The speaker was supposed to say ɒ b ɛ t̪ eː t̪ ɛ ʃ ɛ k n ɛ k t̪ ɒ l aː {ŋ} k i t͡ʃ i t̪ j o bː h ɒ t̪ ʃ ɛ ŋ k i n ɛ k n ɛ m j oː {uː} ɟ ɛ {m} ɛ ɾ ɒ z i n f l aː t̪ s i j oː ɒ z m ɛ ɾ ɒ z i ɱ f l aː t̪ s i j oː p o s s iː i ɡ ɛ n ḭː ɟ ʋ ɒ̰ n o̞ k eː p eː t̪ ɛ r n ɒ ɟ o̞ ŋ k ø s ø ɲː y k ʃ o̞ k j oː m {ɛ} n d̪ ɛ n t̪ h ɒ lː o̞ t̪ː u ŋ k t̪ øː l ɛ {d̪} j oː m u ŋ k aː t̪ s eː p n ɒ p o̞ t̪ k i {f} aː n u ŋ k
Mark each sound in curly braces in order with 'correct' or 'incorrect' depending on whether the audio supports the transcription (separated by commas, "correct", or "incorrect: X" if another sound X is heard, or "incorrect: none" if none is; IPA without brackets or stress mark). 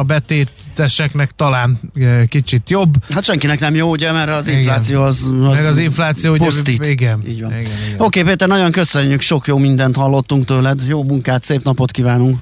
incorrect: n, incorrect: u, correct, incorrect: i, correct, incorrect: v